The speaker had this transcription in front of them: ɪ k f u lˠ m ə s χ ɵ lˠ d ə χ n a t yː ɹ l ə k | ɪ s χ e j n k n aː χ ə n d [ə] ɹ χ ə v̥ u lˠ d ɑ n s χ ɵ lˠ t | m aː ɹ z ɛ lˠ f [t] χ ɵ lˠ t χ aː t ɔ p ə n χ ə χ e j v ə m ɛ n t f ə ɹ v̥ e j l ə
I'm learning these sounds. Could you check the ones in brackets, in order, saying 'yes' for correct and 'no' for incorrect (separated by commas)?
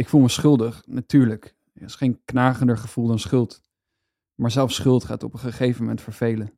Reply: yes, no